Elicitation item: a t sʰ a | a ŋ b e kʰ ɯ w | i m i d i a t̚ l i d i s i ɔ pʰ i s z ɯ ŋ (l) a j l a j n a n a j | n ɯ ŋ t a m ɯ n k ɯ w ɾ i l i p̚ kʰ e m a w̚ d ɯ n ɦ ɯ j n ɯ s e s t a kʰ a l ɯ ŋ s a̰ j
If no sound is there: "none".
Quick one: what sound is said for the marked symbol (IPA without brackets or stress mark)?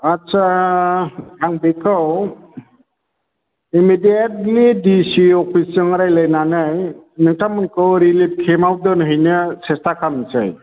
ɾ